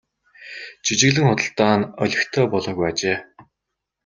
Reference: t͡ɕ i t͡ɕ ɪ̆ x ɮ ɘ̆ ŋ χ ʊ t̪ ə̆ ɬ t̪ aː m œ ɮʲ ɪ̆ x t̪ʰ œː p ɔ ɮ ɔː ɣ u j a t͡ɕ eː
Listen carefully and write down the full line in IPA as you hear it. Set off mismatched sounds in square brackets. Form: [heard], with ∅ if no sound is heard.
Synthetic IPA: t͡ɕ i t͡ɕ ɪ̆ [ɣ] ɮ ɘ̆ ŋ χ ʊ t̪ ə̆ ɬ t̪ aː [n] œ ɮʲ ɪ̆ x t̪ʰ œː p ɔ ɮ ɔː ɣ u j a t͡ɕ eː